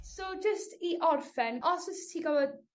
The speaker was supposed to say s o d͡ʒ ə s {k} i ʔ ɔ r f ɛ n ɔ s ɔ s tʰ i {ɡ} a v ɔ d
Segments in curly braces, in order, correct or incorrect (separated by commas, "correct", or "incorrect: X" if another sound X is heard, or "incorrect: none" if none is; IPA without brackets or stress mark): incorrect: t, correct